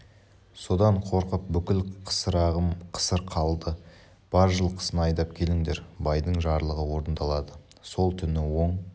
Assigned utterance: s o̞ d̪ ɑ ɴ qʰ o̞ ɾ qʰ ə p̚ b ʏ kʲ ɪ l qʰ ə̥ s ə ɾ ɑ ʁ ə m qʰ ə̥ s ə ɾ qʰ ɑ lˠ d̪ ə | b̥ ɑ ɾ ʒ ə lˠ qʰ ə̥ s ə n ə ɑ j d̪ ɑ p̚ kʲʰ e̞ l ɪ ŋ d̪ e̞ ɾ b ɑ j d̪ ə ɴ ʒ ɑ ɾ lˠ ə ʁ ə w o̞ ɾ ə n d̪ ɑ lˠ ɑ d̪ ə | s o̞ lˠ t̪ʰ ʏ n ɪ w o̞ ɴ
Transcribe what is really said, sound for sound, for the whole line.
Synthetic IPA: s o̞ d̪ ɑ ɴ qʰ o̞ ɾ q ə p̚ b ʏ kʲ ɪ l qʰ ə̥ s ə ɾ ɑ ʁ ə m qʰ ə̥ s ə ɾ qʰ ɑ lˠ d̪ ə | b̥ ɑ ɾ ʒ ə lˠ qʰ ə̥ s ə n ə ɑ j d̪ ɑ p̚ kʲʰ e̞ l ɪ ŋ d̪ e̞ ɾ b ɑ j d̪ ə ɴ ʒ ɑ ɾ lˠ ə ʁ ə w o̞ ɾ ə n d̪ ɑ lˠ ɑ d̪ ə | s o̞ lˠ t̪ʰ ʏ n ɪ w o̞ ɴ